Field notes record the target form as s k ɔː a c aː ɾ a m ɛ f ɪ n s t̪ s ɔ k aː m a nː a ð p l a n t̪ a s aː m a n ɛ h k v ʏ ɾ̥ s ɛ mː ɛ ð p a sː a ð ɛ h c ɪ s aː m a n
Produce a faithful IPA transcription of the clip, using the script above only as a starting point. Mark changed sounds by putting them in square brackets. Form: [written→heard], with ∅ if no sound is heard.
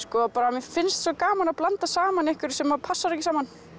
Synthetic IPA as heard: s k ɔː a [c→p] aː ɾ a m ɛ f ɪ n s t̪ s ɔ k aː m a [nː→n] a ð p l a n t̪ a s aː m a n ɛ h k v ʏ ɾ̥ s ɛ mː [ɛ→a] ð [p→pʰ] a sː a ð ɛ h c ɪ s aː m a n